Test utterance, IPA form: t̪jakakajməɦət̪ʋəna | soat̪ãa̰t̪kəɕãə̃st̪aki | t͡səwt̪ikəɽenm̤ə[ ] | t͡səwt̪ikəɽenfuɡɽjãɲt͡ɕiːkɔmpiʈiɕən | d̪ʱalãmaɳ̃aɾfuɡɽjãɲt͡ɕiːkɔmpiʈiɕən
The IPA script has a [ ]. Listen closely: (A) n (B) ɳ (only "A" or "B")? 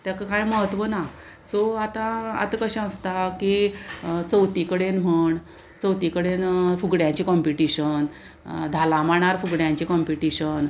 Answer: B